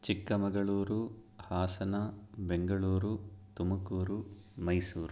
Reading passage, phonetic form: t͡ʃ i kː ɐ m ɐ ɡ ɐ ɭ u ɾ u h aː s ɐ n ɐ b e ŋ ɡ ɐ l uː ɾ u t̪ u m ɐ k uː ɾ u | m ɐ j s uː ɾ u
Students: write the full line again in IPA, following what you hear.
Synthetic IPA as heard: t͡ʃ i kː ɐ m ɐ ɡ ɐ ɭ uː ɾ u h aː s ɐ n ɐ b e ŋ ɡ ɐ ɭ uː ɾ u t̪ u m ɐ k uː ɾ u | m ɐ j s uː ɾ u